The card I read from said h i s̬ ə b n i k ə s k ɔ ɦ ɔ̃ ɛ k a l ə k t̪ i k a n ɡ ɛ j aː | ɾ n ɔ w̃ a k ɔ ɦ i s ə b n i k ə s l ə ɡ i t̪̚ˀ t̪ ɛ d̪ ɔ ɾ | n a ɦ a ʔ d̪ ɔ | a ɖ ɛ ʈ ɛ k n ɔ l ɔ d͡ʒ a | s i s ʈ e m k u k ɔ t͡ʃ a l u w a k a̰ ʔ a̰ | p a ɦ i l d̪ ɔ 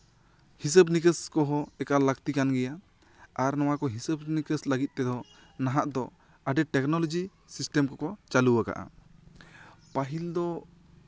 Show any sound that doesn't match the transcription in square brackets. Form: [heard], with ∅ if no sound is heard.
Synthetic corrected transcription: h i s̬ ə b n i k ə s k ɔ ɦ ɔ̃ ɛ k a l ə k t̪ i k a n ɡ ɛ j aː | ɾ n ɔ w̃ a k ɔ ɦ i s ə b n i k ə s l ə ɡ i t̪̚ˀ t̪ ɛ d̪ ɔ [∅] | n a ɦ a ʔ d̪ ɔ | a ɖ ɛ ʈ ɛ k n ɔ l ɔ d͡ʒ [i] | s i s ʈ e m k [ɔ] k ɔ t͡ʃ a l u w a k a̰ ʔ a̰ | p a ɦ i l d̪ ɔ